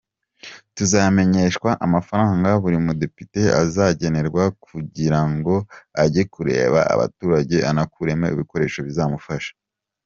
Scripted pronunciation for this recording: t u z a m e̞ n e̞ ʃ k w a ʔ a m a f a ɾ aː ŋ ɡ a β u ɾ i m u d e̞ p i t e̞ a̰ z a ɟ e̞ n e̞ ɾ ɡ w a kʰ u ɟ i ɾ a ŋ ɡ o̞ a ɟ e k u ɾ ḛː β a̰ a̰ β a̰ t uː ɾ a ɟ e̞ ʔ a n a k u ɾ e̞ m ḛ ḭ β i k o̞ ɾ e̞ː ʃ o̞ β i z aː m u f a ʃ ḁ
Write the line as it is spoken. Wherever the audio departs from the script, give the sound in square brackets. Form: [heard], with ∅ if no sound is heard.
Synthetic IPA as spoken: t u z a m e̞ [ɲ] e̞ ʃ k w a ʔ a m a f a ɾ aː ŋ ɡ a β u ɾ i m u d e̞ p i t e̞ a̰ z a ɟ e̞ n e̞ ɾ ɡ w a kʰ u ɟ i ɾ a ŋ ɡ o̞ a ɟ e k u ɾ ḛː β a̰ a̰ β a̰ t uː ɾ a ɟ e̞ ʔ a n a k u ɾ e̞ m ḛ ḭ β i k o̞ ɾ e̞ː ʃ o̞ β i z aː m u f a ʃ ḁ